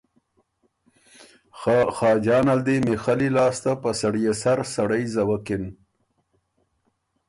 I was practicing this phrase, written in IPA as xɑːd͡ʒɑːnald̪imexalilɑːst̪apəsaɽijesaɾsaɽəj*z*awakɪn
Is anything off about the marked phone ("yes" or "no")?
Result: no